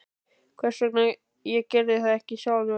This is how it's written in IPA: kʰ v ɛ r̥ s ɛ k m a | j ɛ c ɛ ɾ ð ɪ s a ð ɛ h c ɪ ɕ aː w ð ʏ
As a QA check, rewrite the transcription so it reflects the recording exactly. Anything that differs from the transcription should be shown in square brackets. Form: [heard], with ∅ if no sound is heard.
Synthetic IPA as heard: kʰ v ɛ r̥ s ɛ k [n] a | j ɛ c ɛ ɾ ð ɪ [θ] a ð ɛ h c ɪ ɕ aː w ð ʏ